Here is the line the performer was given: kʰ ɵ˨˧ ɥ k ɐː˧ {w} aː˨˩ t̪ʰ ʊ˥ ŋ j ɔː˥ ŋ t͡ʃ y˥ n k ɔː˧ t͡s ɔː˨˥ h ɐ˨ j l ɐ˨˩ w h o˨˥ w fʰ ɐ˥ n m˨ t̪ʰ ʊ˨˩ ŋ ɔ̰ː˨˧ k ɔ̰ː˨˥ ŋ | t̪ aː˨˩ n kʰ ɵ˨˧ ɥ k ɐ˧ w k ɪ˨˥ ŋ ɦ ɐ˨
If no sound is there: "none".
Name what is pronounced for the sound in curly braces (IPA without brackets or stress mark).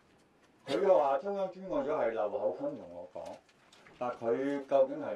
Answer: w